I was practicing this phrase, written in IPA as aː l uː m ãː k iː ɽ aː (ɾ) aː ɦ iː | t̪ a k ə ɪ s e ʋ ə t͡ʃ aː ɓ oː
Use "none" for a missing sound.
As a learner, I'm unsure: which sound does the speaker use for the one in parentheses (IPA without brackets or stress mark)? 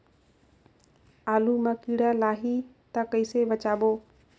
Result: l